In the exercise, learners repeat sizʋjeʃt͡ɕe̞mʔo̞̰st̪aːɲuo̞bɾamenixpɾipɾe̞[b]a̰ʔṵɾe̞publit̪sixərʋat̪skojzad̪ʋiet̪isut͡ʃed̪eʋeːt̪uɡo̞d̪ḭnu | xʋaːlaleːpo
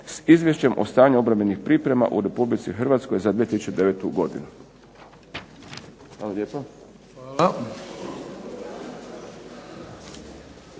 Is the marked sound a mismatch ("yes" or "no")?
yes